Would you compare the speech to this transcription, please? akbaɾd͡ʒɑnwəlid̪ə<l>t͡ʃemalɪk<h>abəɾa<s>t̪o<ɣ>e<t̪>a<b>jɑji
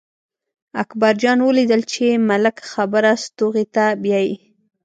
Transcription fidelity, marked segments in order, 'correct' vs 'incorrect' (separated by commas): correct, incorrect, correct, correct, correct, correct